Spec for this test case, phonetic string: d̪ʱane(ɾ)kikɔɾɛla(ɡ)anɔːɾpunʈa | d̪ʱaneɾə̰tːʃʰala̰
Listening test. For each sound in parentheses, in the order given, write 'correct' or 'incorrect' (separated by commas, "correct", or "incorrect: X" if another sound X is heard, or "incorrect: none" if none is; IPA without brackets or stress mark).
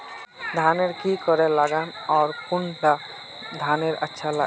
correct, correct